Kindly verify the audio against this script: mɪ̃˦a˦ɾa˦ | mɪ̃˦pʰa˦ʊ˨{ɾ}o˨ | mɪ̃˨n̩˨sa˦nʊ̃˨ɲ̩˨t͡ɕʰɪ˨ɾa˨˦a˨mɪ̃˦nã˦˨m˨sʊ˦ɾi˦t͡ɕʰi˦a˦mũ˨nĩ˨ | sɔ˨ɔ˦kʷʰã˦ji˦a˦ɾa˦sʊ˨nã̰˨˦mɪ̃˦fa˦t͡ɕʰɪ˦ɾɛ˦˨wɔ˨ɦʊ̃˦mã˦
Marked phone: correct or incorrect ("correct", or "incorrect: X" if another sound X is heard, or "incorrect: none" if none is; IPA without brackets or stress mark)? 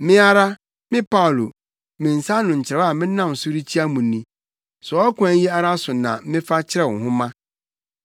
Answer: incorrect: l